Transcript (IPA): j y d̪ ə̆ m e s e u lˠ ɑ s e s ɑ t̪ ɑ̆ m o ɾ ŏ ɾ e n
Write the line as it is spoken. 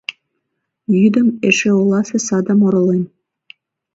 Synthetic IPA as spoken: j y d̪ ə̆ m e ʃ e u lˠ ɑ s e s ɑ d̪ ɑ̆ m o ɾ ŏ l e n